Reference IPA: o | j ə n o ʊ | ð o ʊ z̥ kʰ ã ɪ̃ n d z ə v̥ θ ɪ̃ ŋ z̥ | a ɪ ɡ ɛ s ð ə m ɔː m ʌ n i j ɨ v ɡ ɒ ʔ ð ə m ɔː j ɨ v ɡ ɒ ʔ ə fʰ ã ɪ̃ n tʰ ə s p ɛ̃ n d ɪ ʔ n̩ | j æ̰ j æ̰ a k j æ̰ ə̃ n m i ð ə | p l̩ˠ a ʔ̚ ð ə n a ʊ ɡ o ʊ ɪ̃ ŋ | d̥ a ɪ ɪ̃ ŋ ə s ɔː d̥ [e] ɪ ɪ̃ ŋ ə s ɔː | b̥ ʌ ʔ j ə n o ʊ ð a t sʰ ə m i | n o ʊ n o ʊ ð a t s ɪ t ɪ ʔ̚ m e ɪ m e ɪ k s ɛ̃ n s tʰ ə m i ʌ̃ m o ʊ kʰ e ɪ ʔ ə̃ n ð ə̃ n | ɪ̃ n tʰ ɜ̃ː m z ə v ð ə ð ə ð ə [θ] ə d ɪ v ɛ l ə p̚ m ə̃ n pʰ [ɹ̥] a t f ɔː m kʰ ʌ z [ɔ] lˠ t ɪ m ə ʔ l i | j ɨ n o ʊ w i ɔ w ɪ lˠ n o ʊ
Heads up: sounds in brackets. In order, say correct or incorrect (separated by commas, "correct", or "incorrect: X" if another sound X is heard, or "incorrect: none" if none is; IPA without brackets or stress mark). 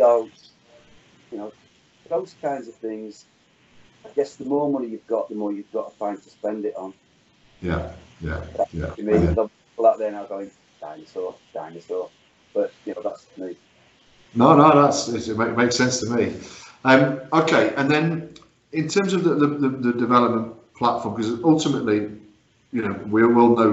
incorrect: a, incorrect: ð, incorrect: l̥, incorrect: ʌ